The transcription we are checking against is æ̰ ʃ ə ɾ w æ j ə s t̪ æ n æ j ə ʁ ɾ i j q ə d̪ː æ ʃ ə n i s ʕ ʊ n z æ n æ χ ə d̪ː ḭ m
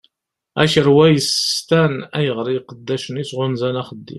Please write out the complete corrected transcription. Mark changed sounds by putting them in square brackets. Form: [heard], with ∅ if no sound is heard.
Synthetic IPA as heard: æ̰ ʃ ə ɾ w æ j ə s t̪ æ n æ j ə ʁ ɾ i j q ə d̪ː æ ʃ ə n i s [ʁ] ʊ n z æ n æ χ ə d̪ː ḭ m